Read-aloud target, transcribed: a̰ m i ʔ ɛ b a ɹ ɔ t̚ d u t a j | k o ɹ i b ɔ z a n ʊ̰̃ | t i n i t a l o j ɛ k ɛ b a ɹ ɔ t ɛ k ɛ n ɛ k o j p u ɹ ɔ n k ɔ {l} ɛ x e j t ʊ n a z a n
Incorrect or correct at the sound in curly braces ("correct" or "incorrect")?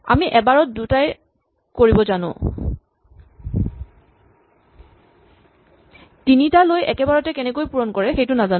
incorrect